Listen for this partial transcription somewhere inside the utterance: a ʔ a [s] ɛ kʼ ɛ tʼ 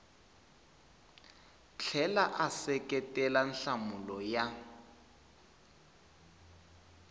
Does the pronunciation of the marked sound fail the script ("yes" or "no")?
no